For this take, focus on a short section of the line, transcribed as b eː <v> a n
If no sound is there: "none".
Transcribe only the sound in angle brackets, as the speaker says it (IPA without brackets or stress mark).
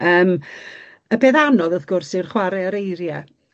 ð